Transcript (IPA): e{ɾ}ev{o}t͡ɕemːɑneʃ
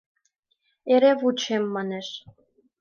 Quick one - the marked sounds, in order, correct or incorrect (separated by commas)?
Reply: correct, incorrect